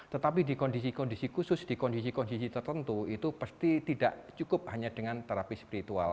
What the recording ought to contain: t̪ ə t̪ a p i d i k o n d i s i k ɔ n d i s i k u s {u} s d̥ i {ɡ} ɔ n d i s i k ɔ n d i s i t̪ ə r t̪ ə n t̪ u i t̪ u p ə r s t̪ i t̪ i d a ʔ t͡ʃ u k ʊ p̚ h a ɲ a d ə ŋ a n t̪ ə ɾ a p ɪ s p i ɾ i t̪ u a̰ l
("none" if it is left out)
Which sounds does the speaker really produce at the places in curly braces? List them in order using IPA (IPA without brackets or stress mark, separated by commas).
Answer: ʊ, k